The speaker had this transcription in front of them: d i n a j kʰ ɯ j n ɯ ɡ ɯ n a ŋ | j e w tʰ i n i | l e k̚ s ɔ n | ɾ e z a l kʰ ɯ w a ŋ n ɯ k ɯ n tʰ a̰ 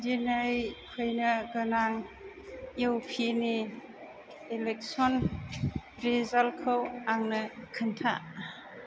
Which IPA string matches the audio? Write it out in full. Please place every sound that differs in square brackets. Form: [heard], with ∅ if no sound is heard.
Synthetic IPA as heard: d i n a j kʰ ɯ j n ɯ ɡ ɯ n a ŋ | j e w [pʰ] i n i | l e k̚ s ɔ n | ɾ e z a l kʰ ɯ w a ŋ n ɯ [kʰ] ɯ n tʰ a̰